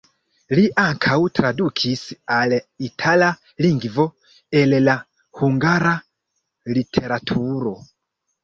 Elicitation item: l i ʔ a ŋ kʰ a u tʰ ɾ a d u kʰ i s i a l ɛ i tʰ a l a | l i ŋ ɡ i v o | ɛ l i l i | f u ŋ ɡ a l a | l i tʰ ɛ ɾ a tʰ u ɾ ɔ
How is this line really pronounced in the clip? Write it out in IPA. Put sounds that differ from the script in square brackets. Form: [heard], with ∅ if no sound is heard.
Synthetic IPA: l i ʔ a ŋ kʰ a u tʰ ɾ a d u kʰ i s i a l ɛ i tʰ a l a | l i ŋ ɡ i v [ɔ] | ɛ l [ɛ] l [a] | [h] u ŋ ɡ a [ɾ] a | l i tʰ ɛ ɾ a tʰ u ɾ ɔ